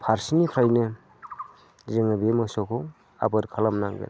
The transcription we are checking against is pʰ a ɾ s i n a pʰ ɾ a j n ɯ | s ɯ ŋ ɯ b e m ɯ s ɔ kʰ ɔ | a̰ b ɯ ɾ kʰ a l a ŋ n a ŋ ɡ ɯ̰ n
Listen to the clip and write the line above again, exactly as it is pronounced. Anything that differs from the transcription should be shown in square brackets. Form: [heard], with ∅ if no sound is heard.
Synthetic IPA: pʰ a ɾ s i n [i] pʰ ɾ a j n ɯ | [z] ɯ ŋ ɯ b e m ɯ s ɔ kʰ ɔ | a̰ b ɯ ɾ kʰ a l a [m] n a ŋ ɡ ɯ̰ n